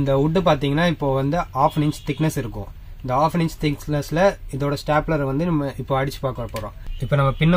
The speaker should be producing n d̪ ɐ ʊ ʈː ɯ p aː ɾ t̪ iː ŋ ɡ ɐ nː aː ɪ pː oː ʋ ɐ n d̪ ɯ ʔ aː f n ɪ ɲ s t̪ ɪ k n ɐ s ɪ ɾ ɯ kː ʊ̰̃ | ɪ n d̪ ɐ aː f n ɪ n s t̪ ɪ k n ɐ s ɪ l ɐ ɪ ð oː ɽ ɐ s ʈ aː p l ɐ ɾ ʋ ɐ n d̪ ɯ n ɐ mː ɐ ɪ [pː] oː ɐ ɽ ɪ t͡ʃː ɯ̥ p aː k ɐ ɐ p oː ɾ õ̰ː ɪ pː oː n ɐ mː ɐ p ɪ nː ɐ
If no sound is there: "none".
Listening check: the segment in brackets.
pː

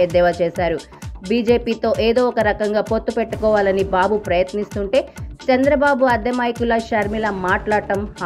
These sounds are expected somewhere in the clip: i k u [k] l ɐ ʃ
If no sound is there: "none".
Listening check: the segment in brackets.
none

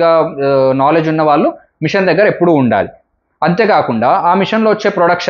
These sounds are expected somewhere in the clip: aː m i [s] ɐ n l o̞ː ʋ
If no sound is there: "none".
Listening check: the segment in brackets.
ʂ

